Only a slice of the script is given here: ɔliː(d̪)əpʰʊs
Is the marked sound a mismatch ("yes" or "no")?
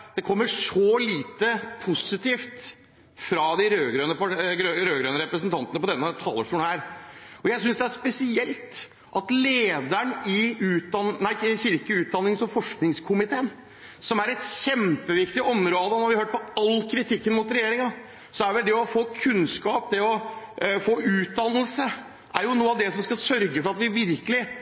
yes